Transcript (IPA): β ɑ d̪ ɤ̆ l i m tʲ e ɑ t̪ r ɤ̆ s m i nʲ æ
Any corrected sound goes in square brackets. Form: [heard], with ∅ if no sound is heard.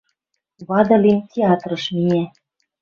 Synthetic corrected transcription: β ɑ d̪ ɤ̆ l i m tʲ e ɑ t̪ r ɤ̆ [ʃ] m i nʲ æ